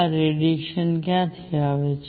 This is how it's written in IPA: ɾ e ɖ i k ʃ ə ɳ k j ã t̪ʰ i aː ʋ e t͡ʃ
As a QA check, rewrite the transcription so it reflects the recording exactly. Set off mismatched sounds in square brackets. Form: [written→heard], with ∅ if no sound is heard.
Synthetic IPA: ɾ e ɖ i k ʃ ə [ɳ→n] k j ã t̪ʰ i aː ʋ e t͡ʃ